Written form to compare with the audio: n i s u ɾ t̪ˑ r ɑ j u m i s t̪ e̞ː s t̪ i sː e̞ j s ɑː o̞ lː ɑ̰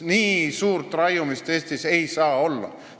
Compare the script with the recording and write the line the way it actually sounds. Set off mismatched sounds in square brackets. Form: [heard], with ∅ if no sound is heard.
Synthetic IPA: n [iː] s [uː] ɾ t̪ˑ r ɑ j u m i s t̪ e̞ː s t̪ i [s] e̞ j s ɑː o̞ lː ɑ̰